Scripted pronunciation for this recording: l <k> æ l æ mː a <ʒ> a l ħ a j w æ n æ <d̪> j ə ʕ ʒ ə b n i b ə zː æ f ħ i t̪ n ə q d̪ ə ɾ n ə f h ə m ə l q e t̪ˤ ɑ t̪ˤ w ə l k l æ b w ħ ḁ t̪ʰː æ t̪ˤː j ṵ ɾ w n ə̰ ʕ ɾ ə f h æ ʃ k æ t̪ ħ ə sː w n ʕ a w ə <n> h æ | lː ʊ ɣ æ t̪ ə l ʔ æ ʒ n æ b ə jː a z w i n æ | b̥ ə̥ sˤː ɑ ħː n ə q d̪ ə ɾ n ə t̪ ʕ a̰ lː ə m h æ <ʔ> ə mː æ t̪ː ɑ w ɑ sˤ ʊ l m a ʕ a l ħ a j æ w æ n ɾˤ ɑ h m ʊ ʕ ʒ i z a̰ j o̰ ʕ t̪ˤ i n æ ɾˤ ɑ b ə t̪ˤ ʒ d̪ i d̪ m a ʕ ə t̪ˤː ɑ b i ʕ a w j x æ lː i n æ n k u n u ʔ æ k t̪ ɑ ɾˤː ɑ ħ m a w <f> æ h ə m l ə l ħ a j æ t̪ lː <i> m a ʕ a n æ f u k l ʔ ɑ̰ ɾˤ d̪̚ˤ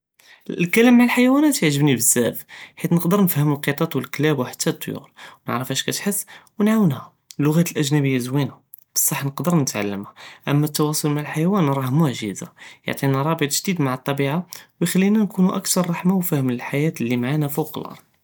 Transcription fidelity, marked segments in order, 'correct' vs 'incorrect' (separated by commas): correct, incorrect, incorrect, correct, correct, correct, correct